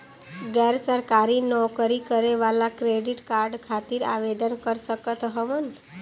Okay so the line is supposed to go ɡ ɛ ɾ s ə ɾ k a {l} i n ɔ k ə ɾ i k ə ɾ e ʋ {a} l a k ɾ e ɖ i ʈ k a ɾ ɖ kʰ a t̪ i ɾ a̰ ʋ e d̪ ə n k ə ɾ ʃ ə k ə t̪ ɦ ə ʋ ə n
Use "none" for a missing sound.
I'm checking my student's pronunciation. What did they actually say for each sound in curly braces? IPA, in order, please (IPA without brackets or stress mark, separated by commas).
ɾ, a